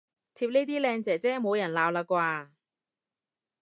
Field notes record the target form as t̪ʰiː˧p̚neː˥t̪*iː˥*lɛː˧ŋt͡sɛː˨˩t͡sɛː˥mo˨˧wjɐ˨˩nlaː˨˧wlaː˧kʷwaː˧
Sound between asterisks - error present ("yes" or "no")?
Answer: no